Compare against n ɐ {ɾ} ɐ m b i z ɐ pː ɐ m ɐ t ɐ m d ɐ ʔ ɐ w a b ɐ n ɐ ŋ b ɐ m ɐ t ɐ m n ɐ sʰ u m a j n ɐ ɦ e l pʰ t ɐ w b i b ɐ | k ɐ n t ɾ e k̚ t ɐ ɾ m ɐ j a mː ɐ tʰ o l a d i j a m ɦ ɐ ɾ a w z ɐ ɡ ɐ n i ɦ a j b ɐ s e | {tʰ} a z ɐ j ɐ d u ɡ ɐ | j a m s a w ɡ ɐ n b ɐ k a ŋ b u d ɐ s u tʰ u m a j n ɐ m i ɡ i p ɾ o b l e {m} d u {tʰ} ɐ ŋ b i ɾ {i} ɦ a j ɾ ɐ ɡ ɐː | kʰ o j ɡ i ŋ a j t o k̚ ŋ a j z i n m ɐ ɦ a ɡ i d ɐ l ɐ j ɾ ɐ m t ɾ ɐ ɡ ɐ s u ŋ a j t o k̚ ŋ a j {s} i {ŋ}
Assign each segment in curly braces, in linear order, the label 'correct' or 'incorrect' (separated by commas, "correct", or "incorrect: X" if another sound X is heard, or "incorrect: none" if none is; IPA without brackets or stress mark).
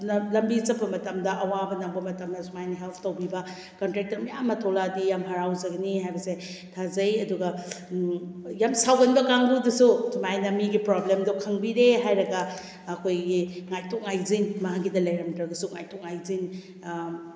incorrect: l, correct, correct, incorrect: kʰ, incorrect: e, incorrect: z, incorrect: n